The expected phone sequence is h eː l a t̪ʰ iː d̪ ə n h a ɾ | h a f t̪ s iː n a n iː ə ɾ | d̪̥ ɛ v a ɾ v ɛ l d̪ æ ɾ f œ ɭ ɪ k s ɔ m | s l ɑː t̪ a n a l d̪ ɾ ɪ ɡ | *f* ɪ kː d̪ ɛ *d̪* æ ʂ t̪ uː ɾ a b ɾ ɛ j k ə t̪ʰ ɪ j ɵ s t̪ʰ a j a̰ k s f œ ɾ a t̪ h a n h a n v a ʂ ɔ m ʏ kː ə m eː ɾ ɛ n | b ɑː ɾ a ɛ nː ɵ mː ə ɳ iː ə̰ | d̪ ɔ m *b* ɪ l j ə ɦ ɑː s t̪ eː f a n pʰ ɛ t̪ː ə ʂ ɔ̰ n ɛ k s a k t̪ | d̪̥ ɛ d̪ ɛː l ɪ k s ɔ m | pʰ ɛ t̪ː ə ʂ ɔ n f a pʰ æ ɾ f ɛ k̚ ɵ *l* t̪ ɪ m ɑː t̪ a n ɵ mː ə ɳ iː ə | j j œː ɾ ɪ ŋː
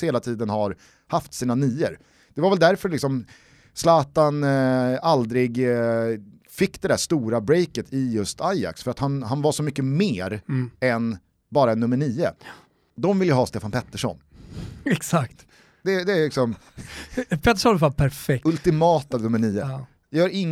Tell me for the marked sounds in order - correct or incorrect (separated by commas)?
correct, correct, incorrect, correct